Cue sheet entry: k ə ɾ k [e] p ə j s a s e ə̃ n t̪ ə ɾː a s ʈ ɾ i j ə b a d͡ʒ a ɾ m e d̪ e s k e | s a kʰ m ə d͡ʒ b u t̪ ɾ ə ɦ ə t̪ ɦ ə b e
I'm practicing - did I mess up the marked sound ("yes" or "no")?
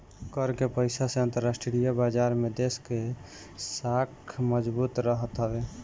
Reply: no